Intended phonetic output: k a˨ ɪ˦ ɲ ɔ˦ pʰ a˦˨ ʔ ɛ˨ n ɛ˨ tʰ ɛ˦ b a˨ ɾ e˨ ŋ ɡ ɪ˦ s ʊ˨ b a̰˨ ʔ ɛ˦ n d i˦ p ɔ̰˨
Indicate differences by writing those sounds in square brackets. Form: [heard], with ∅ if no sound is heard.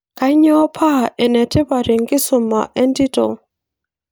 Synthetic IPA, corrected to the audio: k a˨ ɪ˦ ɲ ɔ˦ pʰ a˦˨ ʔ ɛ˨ n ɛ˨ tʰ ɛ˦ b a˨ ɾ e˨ ŋ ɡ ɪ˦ s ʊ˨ [m] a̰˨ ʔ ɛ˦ n d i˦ [t] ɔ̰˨